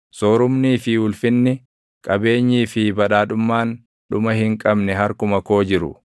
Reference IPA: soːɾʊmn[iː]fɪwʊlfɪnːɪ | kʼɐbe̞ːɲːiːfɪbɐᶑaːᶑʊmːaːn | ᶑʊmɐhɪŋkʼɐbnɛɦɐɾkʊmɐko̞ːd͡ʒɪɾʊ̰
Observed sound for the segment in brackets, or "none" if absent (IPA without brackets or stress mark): iː